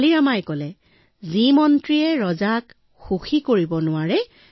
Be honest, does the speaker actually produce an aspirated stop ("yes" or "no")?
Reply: no